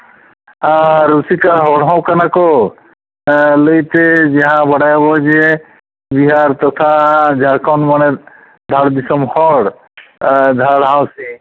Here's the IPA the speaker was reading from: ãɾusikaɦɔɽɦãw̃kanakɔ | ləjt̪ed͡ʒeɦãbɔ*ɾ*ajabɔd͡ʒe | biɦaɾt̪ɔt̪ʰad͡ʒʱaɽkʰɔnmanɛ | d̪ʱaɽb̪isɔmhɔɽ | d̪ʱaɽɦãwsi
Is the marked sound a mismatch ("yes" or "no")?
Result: yes